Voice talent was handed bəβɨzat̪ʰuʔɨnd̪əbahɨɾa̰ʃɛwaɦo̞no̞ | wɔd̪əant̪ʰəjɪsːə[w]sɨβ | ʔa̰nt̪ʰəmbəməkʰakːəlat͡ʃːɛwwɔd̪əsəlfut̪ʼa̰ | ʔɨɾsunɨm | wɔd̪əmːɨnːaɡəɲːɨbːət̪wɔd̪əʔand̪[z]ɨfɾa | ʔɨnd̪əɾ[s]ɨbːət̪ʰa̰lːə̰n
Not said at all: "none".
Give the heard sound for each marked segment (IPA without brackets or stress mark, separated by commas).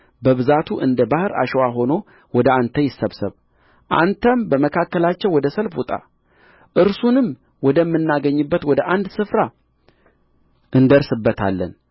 β, s, s